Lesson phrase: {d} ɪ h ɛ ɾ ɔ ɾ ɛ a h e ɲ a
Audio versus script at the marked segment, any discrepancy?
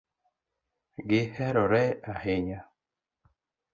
yes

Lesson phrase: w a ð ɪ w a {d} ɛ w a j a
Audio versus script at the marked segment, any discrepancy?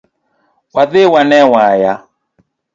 yes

